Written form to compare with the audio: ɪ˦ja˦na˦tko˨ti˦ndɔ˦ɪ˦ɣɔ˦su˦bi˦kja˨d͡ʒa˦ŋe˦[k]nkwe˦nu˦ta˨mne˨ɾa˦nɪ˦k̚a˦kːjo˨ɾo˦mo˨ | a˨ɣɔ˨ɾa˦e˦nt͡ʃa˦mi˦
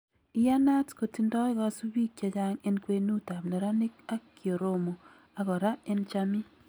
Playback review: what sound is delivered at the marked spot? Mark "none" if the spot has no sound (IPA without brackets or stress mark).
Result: none